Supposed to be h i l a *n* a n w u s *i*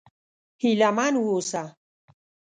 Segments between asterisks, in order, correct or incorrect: incorrect, incorrect

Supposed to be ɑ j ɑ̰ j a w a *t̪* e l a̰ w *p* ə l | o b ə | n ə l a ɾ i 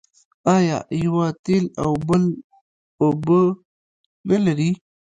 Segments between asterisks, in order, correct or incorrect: correct, incorrect

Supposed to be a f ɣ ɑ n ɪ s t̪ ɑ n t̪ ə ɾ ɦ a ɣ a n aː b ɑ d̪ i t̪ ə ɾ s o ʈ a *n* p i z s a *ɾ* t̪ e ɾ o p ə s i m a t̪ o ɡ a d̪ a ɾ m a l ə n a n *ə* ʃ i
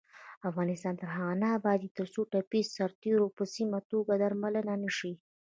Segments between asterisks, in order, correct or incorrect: incorrect, correct, correct

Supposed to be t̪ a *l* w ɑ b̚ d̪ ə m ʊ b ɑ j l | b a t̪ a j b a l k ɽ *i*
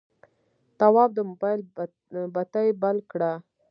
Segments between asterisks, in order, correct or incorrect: incorrect, incorrect

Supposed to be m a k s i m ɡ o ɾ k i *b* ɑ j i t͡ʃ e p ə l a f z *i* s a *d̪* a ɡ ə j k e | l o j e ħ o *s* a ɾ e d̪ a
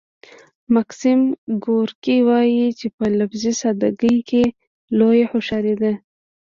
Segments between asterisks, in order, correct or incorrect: incorrect, correct, correct, incorrect

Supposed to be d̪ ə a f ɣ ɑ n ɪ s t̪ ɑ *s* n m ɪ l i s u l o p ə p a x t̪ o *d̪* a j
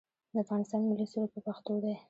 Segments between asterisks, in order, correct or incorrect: incorrect, correct

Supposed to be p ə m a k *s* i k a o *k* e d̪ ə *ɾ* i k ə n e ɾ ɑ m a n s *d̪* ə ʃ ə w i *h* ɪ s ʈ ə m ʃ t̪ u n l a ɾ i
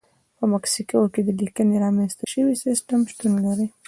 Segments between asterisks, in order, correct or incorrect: correct, correct, incorrect, incorrect, incorrect

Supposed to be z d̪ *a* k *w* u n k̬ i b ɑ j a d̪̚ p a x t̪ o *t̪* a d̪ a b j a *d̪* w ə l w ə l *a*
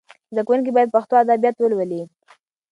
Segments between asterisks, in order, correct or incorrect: correct, correct, incorrect, incorrect, incorrect

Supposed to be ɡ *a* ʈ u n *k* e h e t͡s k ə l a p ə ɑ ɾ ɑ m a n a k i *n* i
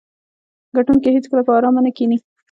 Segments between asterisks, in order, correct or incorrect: correct, correct, correct

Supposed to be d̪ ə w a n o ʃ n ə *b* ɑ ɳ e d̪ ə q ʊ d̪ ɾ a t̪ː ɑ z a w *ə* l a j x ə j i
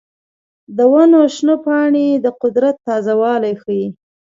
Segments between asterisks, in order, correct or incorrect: incorrect, incorrect

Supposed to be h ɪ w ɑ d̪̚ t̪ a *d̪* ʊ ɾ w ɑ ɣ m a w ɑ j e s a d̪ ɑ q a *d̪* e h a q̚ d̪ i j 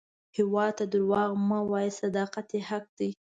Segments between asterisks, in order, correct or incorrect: correct, incorrect

